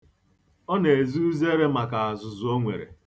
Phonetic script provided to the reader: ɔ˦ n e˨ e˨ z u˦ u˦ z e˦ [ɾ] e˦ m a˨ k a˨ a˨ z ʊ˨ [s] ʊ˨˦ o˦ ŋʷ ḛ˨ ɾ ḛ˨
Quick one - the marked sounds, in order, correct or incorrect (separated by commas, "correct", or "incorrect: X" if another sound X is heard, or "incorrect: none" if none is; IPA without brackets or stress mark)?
correct, incorrect: z